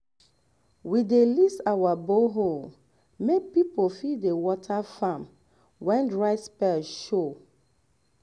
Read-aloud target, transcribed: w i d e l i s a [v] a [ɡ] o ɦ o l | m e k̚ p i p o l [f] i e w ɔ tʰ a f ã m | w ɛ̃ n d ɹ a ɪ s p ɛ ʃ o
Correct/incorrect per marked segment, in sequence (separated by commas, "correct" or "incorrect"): incorrect, incorrect, correct